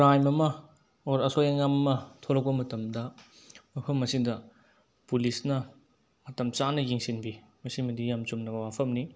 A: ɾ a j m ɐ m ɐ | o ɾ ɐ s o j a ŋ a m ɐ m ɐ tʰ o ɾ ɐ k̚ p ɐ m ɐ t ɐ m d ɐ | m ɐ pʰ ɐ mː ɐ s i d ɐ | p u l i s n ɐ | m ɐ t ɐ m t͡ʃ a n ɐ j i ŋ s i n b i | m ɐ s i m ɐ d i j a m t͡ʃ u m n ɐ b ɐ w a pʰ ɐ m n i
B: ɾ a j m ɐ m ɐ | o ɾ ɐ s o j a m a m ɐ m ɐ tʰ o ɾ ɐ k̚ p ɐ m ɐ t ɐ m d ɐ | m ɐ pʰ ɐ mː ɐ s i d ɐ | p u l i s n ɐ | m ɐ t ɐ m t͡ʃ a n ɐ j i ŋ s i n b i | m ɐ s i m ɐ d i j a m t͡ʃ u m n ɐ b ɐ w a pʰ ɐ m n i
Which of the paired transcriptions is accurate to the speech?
A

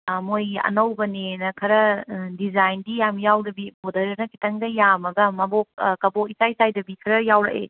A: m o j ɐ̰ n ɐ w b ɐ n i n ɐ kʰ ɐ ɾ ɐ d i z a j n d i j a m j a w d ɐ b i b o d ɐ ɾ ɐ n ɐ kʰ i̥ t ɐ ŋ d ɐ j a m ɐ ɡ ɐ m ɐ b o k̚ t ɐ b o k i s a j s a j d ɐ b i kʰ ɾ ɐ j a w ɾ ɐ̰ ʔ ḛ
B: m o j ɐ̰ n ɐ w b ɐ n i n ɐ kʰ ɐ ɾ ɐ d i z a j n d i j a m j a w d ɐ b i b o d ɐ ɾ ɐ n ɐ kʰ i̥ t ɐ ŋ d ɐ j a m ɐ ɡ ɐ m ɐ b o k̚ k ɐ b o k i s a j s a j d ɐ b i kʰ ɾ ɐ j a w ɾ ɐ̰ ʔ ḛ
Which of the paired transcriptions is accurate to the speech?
B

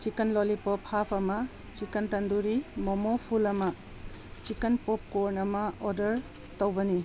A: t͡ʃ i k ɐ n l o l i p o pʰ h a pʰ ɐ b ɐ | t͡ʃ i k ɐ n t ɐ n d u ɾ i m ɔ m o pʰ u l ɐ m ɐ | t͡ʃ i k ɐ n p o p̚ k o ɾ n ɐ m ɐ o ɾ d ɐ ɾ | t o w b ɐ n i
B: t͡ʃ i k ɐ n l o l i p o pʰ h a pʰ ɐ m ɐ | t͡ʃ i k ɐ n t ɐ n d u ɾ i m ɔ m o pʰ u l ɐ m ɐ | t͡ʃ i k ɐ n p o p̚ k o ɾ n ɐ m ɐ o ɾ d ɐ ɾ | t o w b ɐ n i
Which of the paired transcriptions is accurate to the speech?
B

